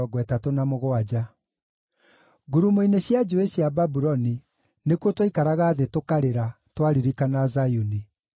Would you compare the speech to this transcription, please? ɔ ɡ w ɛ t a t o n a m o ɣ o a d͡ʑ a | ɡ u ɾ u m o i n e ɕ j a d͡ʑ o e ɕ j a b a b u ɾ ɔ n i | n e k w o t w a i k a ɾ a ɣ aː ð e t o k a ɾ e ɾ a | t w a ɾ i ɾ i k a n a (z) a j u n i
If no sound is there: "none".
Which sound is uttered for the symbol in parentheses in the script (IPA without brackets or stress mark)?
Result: z